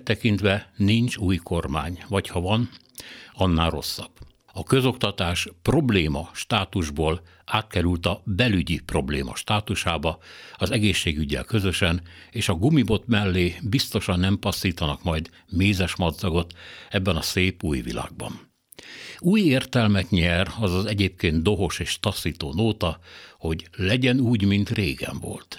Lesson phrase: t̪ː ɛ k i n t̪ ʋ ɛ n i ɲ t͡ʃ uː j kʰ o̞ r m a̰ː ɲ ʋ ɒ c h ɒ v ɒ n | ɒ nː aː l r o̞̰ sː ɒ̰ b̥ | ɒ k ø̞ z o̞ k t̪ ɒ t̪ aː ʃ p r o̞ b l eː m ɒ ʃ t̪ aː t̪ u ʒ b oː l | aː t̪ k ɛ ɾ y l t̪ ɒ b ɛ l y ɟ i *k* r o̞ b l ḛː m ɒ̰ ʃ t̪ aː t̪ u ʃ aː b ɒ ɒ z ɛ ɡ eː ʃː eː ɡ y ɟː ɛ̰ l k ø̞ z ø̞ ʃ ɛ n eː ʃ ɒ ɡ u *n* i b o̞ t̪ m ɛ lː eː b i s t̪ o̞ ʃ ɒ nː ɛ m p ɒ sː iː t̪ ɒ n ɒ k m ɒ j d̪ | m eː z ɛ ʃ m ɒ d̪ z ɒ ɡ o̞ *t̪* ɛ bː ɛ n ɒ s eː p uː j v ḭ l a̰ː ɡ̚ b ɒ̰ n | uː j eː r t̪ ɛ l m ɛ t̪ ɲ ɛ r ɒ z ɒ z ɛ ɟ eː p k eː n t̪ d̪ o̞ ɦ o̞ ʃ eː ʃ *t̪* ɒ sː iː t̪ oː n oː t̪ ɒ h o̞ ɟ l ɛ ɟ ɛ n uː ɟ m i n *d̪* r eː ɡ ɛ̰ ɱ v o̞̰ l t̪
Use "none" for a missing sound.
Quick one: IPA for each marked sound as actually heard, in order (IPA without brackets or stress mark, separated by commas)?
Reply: p, m, t̪, t̪, t̪